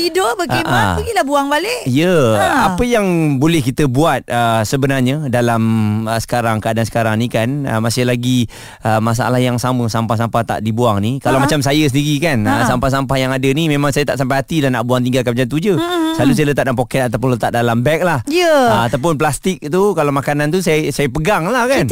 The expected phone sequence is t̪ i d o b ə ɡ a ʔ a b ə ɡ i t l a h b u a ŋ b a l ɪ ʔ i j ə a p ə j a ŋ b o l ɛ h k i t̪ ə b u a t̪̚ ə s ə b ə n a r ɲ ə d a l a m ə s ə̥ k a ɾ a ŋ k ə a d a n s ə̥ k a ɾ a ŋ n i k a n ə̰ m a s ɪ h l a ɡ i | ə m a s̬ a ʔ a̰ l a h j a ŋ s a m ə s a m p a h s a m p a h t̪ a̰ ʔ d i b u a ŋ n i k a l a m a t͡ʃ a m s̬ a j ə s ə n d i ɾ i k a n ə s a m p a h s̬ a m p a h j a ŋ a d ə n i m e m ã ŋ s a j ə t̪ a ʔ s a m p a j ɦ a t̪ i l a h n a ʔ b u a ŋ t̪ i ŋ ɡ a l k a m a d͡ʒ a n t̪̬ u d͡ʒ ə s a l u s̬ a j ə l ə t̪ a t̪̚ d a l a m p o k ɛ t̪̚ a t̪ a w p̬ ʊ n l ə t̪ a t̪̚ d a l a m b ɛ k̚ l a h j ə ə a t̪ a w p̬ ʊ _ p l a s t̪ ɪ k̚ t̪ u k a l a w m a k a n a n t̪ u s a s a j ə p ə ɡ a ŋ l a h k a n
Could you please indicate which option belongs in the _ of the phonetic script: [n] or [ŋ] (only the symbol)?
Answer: n